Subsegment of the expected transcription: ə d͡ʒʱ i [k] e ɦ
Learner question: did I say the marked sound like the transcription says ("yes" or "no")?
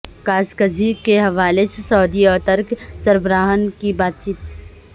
yes